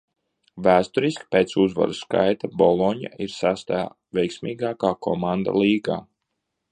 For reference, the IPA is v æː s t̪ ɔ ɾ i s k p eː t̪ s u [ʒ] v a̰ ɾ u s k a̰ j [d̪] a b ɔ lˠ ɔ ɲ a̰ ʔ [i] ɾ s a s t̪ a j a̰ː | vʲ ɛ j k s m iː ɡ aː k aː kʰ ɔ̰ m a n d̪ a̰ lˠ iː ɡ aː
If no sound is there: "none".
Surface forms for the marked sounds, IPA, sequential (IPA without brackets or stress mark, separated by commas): z, t̪, i